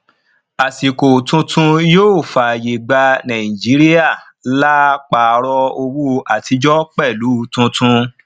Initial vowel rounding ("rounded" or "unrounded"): unrounded